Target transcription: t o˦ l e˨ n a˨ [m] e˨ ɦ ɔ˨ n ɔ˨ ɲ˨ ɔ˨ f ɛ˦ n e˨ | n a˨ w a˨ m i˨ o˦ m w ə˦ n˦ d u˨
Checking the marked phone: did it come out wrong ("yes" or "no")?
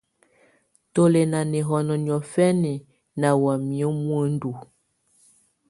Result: yes